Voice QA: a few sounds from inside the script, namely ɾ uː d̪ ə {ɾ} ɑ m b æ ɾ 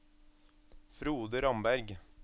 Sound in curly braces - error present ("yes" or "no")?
no